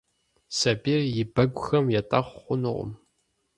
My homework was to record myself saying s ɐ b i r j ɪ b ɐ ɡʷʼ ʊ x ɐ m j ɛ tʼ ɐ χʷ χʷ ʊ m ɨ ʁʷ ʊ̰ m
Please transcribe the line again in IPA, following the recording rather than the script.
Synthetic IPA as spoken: s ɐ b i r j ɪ b ɐ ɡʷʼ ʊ x ɐ m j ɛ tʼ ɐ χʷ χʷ ʊ n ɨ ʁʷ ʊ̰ m